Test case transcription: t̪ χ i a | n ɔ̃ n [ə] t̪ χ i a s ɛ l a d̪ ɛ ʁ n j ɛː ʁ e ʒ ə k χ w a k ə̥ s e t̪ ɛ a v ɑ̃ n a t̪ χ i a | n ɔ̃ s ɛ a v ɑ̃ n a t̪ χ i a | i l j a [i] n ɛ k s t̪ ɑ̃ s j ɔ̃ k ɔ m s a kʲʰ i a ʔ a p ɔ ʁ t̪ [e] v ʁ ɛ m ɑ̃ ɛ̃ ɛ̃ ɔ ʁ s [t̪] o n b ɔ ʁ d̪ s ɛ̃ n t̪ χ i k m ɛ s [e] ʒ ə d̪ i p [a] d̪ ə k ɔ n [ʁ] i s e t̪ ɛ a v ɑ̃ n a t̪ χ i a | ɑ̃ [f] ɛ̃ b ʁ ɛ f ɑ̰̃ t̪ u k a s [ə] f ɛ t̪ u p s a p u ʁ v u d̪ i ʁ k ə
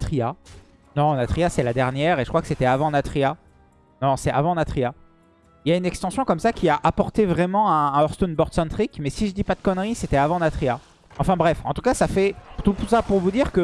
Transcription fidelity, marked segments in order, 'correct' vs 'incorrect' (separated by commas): incorrect, incorrect, correct, correct, incorrect, correct, correct, correct, incorrect